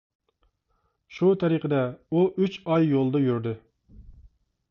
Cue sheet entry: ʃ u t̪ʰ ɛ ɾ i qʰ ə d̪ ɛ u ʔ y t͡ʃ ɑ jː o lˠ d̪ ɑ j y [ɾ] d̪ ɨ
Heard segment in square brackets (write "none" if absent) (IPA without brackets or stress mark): ɾ